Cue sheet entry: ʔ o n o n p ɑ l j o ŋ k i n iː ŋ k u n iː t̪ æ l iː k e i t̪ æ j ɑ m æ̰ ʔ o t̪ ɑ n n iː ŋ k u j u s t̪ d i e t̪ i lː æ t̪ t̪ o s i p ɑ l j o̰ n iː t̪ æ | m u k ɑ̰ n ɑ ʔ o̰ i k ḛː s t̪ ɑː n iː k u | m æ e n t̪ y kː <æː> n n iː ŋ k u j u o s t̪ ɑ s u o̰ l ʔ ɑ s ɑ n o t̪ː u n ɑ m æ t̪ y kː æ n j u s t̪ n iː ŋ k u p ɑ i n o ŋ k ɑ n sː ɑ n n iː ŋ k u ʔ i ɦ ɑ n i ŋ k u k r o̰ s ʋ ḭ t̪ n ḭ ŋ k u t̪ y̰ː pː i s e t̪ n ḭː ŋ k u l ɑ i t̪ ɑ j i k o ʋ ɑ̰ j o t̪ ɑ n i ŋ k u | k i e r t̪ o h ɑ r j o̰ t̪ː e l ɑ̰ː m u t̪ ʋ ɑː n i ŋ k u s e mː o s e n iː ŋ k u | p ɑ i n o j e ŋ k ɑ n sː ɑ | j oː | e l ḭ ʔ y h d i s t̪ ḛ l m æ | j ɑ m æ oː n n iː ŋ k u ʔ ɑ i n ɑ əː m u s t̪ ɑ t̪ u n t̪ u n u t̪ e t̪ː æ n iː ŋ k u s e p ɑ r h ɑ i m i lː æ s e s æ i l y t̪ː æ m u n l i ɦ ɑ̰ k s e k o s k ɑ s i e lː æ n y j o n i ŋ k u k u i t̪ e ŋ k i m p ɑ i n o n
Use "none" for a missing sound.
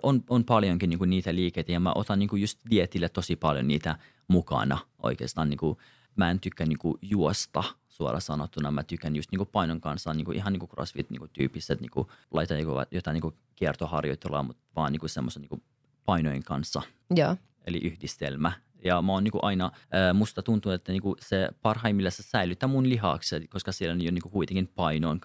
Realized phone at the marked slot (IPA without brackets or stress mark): æ